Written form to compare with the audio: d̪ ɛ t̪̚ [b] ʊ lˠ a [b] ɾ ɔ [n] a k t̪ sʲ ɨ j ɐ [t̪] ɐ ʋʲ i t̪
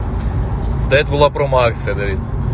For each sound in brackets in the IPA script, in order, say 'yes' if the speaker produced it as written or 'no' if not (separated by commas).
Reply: yes, no, no, no